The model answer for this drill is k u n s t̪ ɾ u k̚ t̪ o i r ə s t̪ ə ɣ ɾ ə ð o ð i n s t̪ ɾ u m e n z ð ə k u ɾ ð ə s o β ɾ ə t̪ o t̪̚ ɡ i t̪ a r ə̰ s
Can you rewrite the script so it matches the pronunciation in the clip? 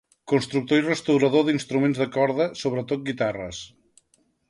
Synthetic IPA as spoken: k u n s t̪ ɾ u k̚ t̪ o i r ə s t̪ ə w ɾ ə ð o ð i n s t̪ ɾ u m e n z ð ə k ɔ ɾ ð ə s o β ɾ ə t̪ o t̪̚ ɡ i t̪ a r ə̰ s